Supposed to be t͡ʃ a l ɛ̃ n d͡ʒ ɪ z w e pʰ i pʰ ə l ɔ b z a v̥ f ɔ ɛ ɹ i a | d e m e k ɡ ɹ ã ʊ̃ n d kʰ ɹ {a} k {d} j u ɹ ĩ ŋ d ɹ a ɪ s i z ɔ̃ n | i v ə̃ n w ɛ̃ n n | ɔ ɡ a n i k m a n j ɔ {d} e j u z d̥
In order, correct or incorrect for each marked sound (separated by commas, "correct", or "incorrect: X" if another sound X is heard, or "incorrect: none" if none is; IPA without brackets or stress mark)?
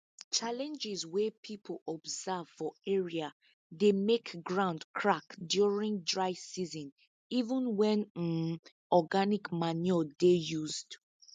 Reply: correct, correct, correct